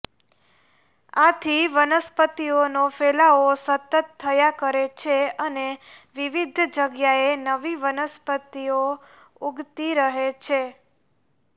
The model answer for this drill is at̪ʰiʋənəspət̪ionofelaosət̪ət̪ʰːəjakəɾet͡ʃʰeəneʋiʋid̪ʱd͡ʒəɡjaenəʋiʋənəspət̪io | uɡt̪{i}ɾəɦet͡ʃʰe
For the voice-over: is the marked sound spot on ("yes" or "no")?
yes